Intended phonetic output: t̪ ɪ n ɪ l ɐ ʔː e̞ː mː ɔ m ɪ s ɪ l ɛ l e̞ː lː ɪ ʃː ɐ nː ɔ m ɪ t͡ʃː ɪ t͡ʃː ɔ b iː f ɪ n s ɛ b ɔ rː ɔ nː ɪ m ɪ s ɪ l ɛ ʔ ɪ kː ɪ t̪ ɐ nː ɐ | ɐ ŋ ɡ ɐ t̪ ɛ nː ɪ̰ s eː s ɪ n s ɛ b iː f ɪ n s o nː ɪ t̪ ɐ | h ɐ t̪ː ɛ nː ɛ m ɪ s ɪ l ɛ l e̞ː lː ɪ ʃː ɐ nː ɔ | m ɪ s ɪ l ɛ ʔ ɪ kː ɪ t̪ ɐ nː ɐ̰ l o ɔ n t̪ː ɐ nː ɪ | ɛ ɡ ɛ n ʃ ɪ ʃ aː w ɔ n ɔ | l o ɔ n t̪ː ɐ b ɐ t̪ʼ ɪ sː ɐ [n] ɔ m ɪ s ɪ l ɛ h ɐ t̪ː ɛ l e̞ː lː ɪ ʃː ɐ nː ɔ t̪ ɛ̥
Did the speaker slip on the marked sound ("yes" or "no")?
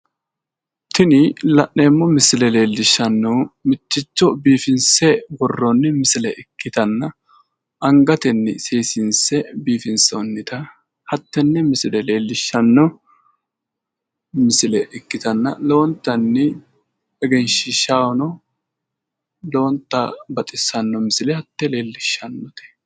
yes